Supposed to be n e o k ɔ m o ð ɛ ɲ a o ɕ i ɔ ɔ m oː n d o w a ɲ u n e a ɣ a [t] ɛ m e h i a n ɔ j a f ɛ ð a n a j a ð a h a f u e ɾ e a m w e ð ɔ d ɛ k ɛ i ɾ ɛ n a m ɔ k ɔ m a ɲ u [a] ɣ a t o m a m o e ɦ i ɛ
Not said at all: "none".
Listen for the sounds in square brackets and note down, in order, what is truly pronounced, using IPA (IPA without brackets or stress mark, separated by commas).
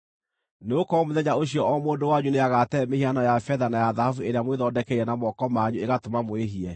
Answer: t, e